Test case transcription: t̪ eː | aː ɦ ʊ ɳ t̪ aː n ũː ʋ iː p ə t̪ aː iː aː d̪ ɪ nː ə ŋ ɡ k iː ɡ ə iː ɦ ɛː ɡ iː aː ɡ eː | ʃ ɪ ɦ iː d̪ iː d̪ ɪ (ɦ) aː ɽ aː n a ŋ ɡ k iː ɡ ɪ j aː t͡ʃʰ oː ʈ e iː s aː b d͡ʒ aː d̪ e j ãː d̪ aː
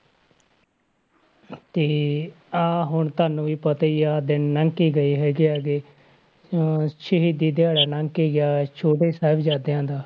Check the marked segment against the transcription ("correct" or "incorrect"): incorrect